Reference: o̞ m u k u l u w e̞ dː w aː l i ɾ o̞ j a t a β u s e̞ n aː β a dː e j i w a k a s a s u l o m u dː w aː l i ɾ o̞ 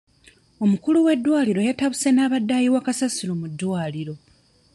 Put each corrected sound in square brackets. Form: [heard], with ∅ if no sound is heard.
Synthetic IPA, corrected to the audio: o̞ m u k u l u w e̞ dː w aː l i ɾ o̞ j a t a β u s e̞ n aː β a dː [a] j i w a k a s a s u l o m u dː w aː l i ɾ o̞